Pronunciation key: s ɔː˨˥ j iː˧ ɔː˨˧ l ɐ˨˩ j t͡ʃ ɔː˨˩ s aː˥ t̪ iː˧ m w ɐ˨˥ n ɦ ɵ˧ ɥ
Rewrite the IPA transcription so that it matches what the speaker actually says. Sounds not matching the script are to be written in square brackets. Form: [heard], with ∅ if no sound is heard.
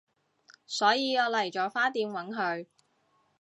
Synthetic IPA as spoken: s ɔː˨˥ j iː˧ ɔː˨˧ l ɐ˨˩ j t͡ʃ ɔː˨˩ [f] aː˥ t̪ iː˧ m w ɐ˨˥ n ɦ ɵ˧ ɥ